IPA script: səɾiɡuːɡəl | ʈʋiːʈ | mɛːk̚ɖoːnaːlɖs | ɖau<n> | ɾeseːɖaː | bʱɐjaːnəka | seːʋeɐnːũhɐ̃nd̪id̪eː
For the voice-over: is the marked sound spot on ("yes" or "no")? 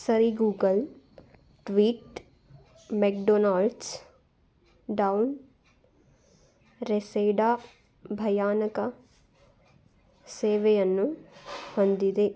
yes